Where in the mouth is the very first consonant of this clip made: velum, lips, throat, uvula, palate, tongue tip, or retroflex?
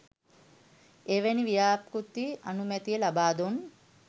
lips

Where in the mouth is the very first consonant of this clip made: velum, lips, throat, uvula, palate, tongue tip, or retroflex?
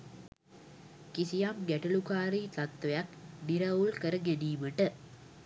velum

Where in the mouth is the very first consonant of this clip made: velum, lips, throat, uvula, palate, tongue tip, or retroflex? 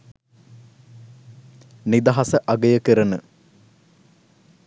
tongue tip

